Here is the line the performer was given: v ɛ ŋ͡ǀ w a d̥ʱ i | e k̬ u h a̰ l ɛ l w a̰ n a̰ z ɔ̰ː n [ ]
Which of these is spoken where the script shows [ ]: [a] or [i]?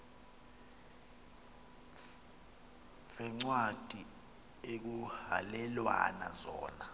a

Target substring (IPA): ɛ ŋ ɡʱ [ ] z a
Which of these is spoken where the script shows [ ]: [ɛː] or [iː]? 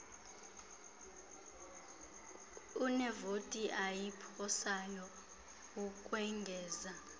ɛː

